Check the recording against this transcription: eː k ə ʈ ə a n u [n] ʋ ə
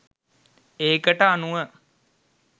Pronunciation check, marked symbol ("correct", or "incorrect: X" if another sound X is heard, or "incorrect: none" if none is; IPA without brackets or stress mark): incorrect: none